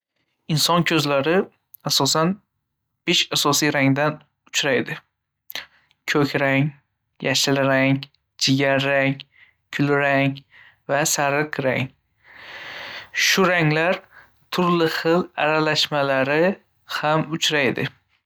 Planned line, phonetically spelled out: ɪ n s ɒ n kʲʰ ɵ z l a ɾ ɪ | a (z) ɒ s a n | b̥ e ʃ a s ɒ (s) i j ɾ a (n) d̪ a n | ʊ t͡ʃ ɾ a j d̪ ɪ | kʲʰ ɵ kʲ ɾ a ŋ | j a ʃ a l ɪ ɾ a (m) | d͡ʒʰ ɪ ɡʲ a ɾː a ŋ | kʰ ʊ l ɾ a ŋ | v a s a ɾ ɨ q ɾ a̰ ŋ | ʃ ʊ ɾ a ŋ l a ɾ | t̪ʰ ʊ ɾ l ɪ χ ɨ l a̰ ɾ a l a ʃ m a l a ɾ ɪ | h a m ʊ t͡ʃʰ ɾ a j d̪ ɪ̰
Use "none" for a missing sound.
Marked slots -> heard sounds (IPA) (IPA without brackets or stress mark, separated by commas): s, s, ŋ, ŋ